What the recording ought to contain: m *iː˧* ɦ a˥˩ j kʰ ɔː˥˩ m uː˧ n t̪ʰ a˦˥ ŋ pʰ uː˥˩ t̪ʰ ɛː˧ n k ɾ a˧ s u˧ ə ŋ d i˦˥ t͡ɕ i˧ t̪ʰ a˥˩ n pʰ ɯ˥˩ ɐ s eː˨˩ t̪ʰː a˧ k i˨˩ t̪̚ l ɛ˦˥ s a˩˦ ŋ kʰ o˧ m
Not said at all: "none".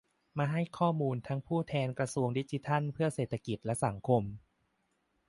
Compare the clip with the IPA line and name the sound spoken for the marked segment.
aː˧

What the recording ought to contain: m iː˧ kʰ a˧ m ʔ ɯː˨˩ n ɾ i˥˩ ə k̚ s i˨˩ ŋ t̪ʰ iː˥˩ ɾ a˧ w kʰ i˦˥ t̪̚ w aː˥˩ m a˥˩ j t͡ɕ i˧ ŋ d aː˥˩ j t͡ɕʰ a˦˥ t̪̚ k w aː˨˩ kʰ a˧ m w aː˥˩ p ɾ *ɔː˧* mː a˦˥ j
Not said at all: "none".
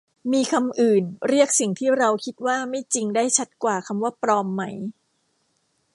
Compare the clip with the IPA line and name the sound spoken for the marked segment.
ɔː˧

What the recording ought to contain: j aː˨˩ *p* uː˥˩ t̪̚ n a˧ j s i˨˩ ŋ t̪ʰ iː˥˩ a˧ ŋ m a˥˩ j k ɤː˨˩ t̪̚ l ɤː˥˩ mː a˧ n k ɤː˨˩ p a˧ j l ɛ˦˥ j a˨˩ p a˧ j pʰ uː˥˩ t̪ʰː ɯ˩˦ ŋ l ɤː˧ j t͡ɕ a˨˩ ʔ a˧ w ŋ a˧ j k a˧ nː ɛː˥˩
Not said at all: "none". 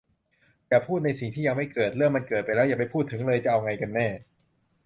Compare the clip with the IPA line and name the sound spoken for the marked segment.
pʰ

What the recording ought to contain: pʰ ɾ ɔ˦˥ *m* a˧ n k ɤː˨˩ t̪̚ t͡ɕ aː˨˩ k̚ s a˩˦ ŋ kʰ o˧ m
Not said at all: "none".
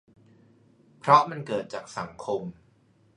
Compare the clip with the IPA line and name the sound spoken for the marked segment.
m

